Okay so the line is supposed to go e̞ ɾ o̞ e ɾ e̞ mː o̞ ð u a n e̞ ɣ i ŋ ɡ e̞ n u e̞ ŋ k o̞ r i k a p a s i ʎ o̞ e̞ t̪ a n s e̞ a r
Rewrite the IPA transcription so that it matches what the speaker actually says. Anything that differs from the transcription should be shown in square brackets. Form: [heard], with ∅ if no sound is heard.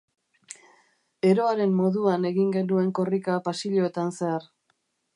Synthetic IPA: e̞ ɾ o̞ [a] ɾ e̞ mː o̞ ð u a n e̞ ɣ i ŋ ɡ e̞ n u e̞ ŋ k o̞ r i k a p a s i ʎ o̞ e̞ t̪ a n s e̞ a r